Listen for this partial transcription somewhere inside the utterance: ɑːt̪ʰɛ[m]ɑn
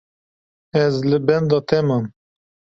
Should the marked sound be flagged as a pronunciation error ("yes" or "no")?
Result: no